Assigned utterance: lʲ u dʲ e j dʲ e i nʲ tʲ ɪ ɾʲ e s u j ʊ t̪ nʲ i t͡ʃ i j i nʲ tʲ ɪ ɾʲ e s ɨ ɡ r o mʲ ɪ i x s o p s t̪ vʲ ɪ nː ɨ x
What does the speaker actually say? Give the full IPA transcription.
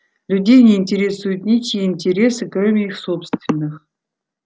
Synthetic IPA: lʲ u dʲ e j nʲ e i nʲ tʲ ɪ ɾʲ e s u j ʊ t̪ nʲ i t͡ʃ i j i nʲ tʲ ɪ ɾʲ e s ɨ k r o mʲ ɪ i x s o p s t̪ vʲ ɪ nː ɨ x